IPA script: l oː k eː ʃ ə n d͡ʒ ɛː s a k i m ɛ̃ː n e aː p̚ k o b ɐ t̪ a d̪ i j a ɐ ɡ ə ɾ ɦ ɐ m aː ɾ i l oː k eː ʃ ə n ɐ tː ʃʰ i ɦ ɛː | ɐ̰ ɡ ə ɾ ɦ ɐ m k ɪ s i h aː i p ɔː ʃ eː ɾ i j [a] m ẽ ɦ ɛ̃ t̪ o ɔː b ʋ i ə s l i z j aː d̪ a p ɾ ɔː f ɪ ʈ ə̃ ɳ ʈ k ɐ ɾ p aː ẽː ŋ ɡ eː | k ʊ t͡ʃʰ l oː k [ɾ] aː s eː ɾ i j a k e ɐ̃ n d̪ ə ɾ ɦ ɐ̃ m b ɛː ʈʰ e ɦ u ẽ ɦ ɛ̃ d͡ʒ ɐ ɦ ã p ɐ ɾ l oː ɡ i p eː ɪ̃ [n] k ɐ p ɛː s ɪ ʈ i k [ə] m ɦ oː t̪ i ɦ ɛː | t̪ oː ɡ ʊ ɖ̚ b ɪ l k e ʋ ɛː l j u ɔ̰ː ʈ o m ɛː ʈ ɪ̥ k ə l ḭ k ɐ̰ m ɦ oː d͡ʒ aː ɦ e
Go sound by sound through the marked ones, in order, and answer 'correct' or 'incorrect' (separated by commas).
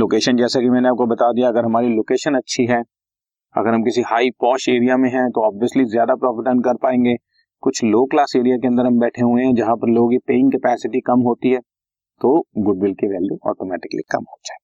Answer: correct, incorrect, incorrect, incorrect